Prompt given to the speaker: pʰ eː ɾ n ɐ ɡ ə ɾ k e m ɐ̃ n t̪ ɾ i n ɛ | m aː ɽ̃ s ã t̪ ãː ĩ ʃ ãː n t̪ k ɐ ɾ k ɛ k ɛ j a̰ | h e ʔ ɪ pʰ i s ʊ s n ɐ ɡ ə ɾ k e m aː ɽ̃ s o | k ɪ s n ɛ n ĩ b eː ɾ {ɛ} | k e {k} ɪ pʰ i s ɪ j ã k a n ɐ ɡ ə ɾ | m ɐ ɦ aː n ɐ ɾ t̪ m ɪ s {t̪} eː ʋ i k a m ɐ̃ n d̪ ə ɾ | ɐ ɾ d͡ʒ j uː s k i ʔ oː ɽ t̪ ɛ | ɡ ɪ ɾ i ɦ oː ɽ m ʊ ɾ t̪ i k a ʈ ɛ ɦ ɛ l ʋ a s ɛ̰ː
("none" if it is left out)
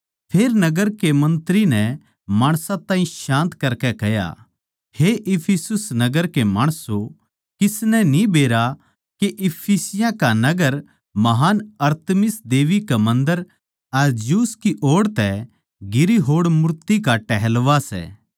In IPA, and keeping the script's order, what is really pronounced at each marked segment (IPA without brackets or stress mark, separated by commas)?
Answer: a, ʔ, d̪